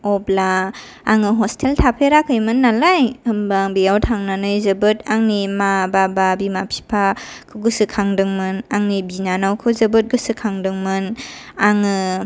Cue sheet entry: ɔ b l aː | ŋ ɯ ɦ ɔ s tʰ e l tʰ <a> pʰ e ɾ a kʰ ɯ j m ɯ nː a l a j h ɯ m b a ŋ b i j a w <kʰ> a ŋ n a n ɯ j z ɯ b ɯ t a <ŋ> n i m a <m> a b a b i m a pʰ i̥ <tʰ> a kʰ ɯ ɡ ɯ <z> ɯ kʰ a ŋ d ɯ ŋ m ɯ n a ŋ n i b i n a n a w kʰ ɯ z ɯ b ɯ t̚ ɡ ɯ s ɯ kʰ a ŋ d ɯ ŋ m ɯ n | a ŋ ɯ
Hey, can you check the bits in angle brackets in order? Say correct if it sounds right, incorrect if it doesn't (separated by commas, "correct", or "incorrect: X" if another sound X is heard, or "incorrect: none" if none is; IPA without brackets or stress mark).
correct, incorrect: tʰ, correct, incorrect: b, incorrect: pʰ, incorrect: s